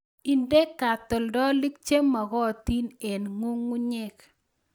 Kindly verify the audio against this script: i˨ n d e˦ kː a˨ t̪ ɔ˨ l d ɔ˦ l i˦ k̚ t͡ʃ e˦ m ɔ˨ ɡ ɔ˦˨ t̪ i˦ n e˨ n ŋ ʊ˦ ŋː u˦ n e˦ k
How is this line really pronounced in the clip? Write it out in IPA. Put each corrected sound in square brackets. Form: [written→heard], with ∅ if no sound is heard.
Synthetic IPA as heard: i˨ n d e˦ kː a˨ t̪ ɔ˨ l d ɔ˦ l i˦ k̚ t͡ʃ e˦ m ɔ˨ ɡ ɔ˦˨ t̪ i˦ n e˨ n ŋ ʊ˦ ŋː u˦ [n→ɲ] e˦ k